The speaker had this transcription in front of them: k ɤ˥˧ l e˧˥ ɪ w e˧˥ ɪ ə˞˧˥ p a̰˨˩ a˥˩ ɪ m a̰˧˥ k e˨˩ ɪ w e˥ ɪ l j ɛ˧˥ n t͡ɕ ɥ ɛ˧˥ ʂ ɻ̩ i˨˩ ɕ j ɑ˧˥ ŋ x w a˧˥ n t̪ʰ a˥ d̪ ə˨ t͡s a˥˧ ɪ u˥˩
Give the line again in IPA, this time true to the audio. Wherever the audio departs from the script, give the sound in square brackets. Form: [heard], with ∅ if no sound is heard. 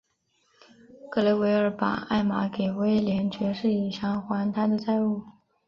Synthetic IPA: k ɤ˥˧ l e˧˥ ɪ w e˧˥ ɪ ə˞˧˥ p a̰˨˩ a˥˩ ɪ m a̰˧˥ k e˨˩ ɪ w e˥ ɪ l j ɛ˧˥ n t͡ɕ ɥ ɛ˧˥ ʂ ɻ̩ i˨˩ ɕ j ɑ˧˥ ŋ x w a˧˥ n t̪ʰ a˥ d̪ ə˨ t͡s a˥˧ ɪ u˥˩